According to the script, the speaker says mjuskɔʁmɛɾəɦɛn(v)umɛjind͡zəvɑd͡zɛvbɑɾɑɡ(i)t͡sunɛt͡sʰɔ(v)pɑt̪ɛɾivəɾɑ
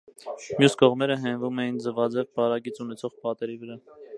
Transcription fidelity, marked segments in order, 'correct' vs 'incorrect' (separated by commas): correct, correct, incorrect